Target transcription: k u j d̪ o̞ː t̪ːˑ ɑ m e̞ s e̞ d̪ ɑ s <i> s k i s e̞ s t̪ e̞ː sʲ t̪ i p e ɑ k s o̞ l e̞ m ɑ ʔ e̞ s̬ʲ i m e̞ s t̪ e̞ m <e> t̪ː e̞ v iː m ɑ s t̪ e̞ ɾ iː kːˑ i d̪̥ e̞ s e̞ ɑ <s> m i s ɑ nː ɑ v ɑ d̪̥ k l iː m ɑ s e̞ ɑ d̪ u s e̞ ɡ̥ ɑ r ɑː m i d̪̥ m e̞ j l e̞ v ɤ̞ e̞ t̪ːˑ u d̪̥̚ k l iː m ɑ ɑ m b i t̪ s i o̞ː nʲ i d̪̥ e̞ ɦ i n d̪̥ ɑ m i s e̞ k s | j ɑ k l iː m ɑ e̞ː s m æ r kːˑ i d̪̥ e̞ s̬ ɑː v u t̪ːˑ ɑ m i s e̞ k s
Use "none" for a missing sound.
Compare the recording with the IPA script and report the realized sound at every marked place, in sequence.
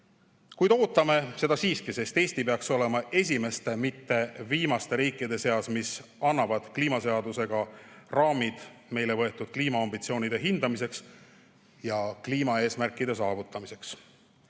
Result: iː, i, s

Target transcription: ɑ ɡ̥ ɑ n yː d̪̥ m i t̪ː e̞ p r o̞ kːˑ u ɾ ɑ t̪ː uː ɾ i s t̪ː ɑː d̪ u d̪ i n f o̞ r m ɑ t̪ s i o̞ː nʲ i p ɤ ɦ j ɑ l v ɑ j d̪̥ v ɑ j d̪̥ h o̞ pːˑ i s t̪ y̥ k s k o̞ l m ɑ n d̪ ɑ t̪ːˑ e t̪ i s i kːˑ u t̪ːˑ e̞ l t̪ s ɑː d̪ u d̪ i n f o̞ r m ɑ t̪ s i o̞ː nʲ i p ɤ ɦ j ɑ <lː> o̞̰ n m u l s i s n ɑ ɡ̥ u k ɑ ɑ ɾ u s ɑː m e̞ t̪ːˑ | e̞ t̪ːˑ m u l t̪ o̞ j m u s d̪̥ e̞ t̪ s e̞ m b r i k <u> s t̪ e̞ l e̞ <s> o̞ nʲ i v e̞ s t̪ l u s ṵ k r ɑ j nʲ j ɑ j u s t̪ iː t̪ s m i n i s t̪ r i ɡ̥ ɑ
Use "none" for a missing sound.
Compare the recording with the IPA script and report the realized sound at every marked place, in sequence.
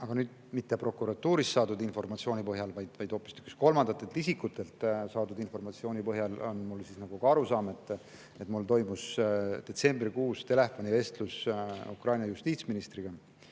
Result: l, uː, f

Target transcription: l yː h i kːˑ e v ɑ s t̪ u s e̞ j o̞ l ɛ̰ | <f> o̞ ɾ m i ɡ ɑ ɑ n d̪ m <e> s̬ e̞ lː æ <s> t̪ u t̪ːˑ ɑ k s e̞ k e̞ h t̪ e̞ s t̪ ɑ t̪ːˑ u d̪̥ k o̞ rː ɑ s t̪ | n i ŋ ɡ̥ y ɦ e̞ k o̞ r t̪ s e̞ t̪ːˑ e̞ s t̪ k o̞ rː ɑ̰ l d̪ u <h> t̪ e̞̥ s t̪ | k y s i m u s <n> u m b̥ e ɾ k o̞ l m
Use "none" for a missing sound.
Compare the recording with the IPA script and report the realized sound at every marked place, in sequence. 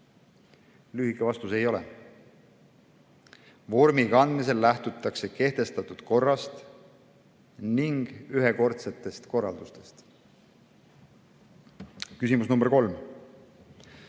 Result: v, i, h, s, n

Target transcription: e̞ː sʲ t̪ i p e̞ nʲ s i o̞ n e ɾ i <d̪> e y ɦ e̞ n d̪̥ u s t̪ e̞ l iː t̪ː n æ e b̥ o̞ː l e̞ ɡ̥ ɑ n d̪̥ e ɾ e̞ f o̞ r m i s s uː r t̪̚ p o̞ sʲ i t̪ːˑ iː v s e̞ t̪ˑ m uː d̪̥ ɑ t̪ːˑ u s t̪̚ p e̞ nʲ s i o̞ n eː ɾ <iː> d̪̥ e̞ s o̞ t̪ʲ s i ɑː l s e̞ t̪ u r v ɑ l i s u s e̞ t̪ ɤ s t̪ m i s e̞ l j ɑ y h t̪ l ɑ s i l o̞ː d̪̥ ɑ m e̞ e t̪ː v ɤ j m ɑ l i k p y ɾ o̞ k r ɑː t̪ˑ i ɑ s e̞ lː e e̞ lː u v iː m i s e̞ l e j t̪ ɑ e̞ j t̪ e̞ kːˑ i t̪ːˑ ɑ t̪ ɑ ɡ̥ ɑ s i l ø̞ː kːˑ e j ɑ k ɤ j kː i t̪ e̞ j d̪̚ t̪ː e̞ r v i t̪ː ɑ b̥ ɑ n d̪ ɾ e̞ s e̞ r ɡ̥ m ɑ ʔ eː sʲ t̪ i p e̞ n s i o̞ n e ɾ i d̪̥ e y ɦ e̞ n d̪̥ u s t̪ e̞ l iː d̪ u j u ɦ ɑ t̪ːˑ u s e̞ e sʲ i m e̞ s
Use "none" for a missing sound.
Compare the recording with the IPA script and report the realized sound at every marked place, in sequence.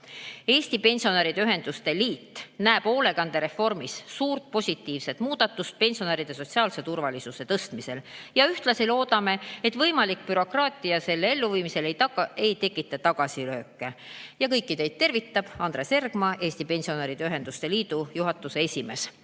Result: d̪, i

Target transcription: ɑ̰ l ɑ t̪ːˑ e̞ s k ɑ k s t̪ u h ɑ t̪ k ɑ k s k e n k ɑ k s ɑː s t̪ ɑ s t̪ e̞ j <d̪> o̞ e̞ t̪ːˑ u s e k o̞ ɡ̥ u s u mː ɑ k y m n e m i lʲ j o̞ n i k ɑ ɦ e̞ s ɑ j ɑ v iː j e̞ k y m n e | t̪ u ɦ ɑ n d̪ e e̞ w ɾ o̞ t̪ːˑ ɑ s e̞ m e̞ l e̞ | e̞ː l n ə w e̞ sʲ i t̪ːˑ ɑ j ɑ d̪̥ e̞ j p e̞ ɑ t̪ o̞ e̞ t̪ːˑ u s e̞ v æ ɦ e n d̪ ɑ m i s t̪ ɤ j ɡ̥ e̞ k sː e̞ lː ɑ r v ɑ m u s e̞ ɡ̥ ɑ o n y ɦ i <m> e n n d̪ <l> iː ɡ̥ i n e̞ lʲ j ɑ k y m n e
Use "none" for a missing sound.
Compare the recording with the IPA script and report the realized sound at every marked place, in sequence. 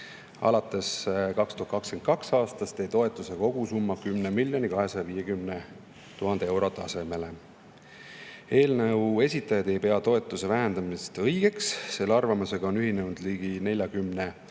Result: t̪, n, l

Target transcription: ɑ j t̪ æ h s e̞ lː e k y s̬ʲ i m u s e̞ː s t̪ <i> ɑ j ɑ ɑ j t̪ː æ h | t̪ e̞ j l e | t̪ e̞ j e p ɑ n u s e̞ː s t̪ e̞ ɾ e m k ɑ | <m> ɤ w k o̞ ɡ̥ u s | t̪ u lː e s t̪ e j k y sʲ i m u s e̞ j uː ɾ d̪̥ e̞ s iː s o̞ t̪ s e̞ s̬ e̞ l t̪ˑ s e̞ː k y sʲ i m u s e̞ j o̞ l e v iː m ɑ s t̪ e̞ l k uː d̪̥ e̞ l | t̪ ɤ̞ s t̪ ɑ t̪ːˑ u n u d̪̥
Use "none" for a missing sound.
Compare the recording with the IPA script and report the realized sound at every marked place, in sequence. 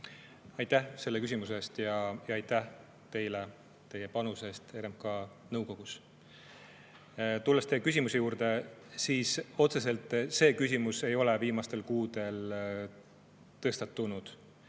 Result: j, n

